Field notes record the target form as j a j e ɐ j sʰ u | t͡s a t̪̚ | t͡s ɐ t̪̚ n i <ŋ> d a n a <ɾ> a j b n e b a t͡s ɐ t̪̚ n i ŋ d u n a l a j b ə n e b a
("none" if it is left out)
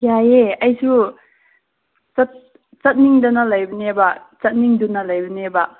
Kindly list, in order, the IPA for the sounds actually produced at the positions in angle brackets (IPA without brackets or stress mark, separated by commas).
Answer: ŋ, l